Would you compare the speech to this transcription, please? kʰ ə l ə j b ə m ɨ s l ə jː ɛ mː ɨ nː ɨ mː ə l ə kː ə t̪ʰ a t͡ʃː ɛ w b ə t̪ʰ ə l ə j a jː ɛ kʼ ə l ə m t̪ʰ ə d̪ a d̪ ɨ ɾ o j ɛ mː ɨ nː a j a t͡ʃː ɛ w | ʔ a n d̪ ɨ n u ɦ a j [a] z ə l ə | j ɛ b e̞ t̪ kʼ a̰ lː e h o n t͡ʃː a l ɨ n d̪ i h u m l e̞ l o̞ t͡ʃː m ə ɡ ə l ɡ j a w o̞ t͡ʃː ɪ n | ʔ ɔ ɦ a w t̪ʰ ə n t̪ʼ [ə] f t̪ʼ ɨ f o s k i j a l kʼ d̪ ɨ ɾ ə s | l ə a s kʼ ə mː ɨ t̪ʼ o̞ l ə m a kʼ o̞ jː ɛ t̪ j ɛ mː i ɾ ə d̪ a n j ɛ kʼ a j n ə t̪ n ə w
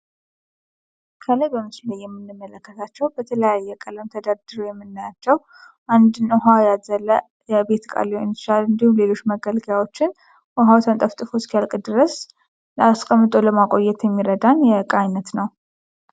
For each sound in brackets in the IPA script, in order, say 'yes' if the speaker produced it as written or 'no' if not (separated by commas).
yes, yes